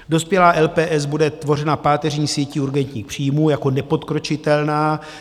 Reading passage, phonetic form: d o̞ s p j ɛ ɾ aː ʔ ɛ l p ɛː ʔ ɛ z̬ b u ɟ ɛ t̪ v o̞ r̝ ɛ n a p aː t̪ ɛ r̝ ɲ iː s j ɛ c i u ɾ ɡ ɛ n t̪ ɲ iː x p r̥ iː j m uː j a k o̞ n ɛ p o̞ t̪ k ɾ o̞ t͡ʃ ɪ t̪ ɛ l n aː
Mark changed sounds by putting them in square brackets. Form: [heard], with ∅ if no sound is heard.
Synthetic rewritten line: d o̞ s p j ɛ [l] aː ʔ ɛ l p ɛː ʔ ɛ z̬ b u [d] ɛ t̪ v o̞ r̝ ɛ n a p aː t̪ ɛ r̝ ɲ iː s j ɛ c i u ɾ ɡ ɛ n t̪ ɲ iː x p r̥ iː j m uː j a k o̞ n ɛ p o̞ t̪ k ɾ o̞ t͡ʃ ɪ t̪ ɛ l n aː